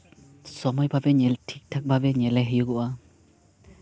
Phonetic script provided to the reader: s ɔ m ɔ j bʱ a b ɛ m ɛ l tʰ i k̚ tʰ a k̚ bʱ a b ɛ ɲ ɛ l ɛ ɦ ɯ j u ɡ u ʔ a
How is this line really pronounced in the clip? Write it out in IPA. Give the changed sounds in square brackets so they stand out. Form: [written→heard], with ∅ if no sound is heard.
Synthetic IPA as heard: s ɔ m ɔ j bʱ a b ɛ [m→ɲ] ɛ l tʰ i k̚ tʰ a k̚ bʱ a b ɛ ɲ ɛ l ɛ ɦ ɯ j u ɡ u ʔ a